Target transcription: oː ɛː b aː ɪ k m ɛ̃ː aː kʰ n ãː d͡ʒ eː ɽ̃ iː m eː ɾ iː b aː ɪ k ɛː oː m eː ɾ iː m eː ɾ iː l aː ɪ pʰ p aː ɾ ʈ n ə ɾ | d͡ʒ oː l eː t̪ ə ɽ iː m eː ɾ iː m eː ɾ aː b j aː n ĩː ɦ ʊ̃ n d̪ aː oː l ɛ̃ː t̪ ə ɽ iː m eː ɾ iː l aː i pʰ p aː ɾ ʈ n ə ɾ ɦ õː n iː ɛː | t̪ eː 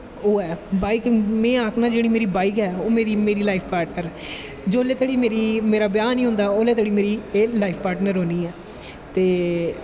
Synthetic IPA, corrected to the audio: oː ɛː b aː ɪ k m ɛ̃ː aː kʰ n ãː d͡ʒ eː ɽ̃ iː m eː ɾ iː b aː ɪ k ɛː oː m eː ɾ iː m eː ɾ iː l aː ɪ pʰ p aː ɾ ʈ n ə ɾ | d͡ʒ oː l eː t̪ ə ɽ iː m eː ɾ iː m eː ɾ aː b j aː n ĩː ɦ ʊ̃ n d̪ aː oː l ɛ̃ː t̪ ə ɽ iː m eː ɾ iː l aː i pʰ p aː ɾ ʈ n ə ɾ ɦ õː n iː ɛː | t̪ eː

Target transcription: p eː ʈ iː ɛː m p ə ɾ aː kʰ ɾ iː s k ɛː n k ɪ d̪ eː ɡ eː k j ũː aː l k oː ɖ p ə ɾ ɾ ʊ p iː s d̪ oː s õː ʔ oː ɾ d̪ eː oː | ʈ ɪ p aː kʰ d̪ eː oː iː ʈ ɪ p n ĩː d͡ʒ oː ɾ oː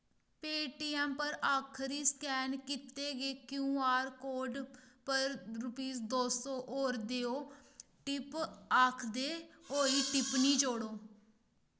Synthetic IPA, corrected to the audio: p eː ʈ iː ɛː m p ə ɾ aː kʰ ɾ iː s k ɛː n k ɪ t̪ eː ɡ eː k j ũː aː ɾ k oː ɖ p ə ɾ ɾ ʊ p iː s d̪ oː s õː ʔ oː ɾ d̪ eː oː | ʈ ɪ p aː kʰ d̪ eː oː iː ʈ ɪ p n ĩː d͡ʒ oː ɽ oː

